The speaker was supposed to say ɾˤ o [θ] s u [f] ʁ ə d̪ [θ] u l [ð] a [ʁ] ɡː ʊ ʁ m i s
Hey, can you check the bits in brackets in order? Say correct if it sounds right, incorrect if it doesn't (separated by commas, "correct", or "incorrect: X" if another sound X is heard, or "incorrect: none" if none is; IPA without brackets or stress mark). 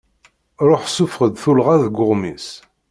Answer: incorrect: ħ, correct, correct, incorrect: ʁ, incorrect: ð